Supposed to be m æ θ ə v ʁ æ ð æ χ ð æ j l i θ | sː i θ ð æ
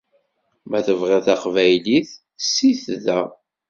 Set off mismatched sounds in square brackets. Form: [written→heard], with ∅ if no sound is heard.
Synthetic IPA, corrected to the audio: m æ θ ə v ʁ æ [ð→θ] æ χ [ð→v] æ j l i θ | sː i θ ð æ